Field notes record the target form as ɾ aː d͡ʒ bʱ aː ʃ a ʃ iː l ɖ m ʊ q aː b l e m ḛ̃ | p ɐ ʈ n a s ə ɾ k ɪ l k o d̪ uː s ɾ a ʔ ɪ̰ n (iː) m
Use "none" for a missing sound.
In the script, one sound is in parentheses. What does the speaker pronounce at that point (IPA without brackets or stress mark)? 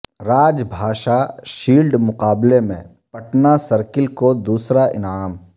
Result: aː